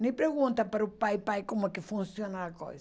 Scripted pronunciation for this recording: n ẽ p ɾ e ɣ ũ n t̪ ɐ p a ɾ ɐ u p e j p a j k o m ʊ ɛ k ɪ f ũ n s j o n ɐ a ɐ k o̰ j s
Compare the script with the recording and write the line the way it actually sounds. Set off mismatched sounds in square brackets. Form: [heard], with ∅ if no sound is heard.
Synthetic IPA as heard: n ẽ p ɾ e ɣ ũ n t̪ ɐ p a ɾ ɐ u p [a] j p a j k o m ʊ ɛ k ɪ f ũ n s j o n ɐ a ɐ k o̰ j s